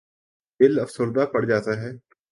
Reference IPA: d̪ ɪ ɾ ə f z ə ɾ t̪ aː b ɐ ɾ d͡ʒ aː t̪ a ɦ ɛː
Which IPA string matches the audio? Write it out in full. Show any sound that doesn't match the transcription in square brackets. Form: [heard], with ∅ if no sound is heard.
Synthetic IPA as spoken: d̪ ɪ [l] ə f [s] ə ɾ [d̪] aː [p] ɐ [ɽ] d͡ʒ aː t̪ a ɦ ɛː